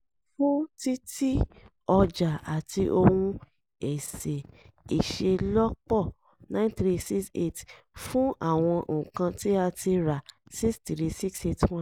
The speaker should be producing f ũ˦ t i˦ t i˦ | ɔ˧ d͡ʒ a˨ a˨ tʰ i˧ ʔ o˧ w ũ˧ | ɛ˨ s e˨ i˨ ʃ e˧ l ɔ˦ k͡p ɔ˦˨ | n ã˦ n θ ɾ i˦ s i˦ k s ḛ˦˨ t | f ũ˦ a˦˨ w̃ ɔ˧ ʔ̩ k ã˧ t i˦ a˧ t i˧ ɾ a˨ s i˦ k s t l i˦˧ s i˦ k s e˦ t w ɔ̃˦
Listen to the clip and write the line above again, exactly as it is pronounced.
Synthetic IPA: f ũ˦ t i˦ t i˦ | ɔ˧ d͡ʒ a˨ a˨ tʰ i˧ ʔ o˧ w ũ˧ | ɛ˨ s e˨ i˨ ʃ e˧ l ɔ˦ k͡p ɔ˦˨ | n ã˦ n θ ɾ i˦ s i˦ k s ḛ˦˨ t | f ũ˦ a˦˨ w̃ ɔ̃˧ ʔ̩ k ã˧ t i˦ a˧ t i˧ ɾ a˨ s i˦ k s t ɾ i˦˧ s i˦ k s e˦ t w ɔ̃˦